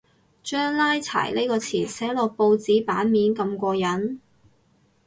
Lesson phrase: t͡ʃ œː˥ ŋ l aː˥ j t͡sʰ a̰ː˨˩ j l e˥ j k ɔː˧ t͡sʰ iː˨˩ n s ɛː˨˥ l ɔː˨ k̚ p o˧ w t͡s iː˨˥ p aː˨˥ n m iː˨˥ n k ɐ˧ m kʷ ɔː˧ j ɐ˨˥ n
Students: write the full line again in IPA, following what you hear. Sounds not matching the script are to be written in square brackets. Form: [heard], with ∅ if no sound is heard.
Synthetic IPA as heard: t͡ʃ œː˥ ŋ l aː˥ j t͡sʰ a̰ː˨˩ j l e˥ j k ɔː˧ t͡sʰ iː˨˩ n s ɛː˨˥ l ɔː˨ k̚ p o˧ w t͡s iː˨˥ p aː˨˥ n m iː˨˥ n k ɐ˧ m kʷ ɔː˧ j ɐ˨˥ n